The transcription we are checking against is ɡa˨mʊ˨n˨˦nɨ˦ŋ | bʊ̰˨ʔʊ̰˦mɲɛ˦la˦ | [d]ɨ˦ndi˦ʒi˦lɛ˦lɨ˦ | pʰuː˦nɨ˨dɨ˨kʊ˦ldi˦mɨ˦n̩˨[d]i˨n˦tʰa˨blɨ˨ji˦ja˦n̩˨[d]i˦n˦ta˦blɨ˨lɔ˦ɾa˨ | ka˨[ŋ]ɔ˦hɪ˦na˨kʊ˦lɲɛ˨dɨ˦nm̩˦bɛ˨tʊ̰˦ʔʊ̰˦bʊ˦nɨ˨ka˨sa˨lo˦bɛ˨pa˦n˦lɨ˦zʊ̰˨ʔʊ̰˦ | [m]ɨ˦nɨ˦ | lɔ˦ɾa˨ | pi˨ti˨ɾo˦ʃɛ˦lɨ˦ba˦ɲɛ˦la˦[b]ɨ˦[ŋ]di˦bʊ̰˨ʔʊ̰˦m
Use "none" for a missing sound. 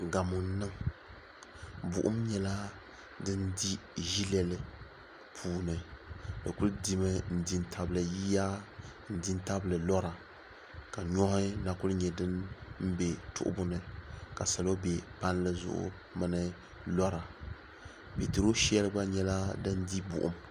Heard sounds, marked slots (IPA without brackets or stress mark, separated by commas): d, d, d, ɲ, m, d, n